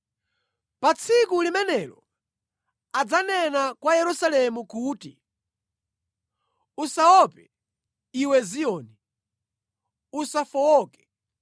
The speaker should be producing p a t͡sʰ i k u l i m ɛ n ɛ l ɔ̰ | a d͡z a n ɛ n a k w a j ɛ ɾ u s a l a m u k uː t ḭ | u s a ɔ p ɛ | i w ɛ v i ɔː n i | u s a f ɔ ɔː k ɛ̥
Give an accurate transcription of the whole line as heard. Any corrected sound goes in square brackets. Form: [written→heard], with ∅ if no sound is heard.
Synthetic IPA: p a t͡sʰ i k u l i m ɛ n ɛ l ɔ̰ | a d͡z a n ɛ n a k w a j ɛ ɾ u s a l [a→ɛ] m u k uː t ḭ | u s a ɔ p ɛ | i w ɛ [v→z] i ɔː n i | u s a f ɔ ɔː k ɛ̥